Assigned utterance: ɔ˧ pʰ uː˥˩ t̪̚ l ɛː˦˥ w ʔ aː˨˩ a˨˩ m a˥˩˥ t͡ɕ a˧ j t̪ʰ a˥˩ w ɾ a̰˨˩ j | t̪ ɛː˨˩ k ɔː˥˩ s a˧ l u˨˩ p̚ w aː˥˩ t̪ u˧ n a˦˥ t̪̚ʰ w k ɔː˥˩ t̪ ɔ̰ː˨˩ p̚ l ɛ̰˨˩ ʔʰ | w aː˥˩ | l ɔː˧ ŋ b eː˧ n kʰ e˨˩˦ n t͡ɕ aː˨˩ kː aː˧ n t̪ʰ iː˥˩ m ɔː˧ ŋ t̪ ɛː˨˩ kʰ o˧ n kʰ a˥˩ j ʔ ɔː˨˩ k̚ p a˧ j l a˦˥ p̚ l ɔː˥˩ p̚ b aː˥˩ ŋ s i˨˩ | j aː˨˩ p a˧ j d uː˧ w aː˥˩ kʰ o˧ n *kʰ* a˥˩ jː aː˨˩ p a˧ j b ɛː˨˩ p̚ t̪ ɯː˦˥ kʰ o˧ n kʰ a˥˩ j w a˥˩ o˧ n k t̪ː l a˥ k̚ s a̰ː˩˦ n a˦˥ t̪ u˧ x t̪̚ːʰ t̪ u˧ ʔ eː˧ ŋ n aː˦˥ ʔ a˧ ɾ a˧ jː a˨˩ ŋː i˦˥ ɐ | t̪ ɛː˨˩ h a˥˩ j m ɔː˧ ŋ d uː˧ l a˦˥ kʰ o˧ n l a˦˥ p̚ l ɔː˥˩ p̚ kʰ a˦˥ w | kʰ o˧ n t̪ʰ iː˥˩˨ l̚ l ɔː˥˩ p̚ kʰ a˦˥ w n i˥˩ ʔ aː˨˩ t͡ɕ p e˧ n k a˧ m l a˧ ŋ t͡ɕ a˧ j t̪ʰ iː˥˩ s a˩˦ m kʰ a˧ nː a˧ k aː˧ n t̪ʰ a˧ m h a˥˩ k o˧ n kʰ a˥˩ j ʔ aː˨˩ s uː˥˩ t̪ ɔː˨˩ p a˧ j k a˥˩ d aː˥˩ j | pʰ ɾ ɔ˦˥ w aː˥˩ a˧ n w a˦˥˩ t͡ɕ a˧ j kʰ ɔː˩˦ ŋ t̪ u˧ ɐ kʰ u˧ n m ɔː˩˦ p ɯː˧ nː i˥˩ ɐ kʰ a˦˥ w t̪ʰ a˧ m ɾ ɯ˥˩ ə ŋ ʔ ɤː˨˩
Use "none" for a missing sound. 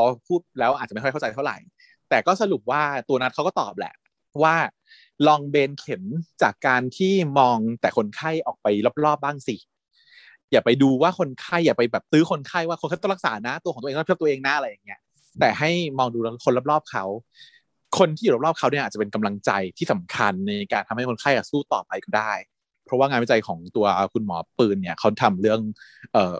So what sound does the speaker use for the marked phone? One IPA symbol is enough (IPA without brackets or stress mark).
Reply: kʰ